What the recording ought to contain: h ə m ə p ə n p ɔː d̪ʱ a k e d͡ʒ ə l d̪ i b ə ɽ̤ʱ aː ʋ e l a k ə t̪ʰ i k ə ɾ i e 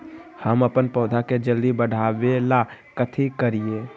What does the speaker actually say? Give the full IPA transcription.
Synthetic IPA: h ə m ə p ə n p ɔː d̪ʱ a k e d͡ʒ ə l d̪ i b ə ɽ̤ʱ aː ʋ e l a k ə t̪ʰ i k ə ɾ i e